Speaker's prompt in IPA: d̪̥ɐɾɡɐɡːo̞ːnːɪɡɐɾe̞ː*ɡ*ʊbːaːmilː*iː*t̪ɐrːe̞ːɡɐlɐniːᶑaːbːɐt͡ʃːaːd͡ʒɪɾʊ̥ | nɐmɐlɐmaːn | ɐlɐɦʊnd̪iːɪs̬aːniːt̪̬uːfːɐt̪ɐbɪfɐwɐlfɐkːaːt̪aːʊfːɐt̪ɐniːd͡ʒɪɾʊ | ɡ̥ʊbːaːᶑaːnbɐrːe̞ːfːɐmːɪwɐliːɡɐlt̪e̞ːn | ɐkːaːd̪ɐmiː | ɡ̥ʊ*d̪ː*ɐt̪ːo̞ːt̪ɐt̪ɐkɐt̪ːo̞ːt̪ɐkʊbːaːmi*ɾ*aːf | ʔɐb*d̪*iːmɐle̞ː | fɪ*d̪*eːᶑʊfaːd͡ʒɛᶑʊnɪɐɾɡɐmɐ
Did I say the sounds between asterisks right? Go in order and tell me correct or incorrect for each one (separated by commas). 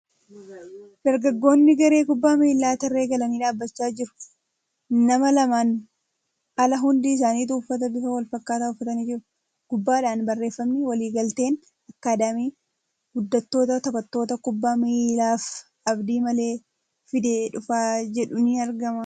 incorrect, incorrect, correct, incorrect, correct, correct